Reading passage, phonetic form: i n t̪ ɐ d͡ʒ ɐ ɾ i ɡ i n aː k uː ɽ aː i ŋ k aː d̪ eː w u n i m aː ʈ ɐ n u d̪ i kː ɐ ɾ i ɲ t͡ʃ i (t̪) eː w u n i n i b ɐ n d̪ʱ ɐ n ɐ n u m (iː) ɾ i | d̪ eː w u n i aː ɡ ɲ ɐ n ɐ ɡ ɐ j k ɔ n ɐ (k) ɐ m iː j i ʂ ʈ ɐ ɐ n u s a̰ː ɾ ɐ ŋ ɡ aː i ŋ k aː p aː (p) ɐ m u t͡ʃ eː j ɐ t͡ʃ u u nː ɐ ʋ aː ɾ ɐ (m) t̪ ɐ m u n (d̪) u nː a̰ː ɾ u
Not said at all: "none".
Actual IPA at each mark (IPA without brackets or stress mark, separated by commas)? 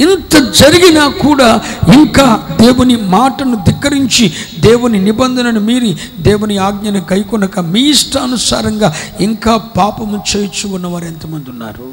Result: d̪, iː, k, p, n, d̪